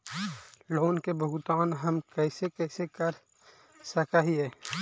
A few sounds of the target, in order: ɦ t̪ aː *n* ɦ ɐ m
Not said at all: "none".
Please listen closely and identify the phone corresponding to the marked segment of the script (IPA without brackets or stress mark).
n